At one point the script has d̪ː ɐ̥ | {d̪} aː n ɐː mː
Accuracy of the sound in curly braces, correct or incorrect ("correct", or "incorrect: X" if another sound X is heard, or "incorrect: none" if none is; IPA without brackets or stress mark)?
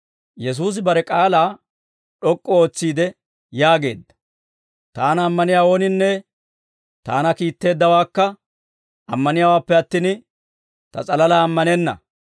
incorrect: t̪